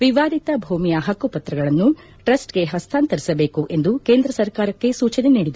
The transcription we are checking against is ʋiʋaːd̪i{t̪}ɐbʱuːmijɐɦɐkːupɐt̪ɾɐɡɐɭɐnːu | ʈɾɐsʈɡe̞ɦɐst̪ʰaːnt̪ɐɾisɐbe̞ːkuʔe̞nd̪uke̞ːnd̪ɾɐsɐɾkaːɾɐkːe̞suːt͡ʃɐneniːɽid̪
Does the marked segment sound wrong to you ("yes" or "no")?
no